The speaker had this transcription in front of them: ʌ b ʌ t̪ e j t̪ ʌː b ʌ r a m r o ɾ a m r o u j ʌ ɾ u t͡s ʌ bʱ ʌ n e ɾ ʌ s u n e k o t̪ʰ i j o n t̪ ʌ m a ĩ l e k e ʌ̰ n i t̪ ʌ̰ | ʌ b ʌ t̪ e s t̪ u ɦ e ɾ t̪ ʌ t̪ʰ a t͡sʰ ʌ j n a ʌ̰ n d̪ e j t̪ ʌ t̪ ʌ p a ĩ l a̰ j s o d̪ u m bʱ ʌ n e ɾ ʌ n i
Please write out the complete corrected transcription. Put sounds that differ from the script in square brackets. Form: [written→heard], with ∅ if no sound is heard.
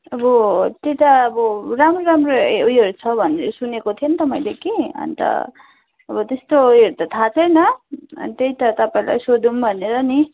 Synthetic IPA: ʌ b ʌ t̪ e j t̪ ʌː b ʌ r a m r o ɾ a m r o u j ʌ ɾ u [t͡s→t͡sʰ] ʌ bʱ ʌ n e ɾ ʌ s u n e k o t̪ʰ i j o n t̪ ʌ m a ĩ l e k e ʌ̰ n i t̪ ʌ̰ | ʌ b ʌ t̪ e s t̪ [u→o] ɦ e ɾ t̪ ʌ t̪ʰ a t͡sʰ ʌ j n [a→ʌ] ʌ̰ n [d̪→t̪] e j t̪ ʌ t̪ ʌ p a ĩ l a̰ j s o d̪ u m bʱ ʌ n e ɾ ʌ n i